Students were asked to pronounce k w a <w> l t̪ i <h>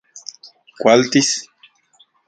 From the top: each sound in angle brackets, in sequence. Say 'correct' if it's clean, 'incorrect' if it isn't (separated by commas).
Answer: incorrect, incorrect